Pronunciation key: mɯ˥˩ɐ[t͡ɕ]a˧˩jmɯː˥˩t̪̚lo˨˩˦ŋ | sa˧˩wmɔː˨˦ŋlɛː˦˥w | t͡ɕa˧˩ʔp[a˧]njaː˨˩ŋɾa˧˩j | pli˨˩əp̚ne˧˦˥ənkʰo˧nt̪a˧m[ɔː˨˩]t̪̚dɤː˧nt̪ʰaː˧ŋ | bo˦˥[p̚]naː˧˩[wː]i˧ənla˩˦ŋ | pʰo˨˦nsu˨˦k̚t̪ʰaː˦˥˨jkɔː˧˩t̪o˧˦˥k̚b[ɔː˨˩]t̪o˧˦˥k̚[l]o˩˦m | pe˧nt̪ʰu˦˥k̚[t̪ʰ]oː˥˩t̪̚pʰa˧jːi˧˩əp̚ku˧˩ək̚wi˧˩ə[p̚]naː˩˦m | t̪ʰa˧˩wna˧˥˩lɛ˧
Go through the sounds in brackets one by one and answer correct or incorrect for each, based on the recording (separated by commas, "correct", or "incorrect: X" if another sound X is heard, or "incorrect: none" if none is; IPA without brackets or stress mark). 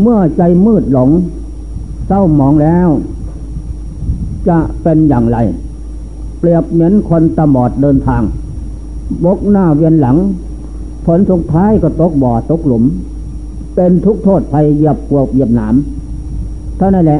correct, incorrect: e˧, correct, incorrect: k̚, incorrect: w, correct, correct, correct, correct